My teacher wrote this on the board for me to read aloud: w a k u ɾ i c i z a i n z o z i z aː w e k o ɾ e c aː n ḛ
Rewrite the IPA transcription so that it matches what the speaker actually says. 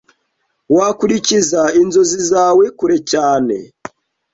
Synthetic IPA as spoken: w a k u ɾ i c i z a i n z o z i z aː w e k u ɾ e c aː n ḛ

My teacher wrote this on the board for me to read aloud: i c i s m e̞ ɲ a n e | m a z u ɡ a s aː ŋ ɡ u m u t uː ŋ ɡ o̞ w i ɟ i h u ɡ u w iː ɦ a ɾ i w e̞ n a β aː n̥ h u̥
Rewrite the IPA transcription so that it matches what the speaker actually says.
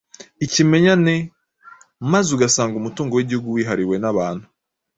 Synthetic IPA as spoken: i c i m e̞ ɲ a n e | m a z u ɡ a s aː ŋ ɡ u m u t uː ŋ ɡ o̞ w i ɟ i h u ɡ u w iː ɦ a ɾ i w e̞ n a β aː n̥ h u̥

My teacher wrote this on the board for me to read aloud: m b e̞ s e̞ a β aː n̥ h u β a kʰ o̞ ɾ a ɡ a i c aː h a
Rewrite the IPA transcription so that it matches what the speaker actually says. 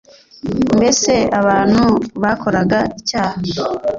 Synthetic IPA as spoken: m b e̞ s e̞ a β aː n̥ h u β a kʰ o̞ ɾ a ɡ a i c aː h a

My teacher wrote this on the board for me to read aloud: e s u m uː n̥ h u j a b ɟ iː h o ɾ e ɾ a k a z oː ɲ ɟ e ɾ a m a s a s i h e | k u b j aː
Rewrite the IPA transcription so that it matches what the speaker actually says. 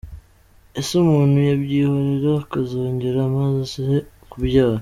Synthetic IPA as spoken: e s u m uː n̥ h u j a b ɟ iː h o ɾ e ɾ a k a z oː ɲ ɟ e ɾ a m a z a s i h e | k u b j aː

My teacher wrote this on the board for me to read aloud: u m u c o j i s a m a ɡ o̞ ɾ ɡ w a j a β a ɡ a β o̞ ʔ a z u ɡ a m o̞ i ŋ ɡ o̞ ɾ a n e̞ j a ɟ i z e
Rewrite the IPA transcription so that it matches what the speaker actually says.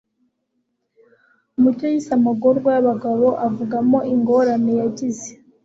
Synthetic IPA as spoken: u m u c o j i s a m a ɡ o̞ ɾ ɡ w a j a β a ɡ a β o̞ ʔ a v u ɡ a m o̞ i ŋ ɡ o̞ ɾ a n e̞ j a ɟ i z e

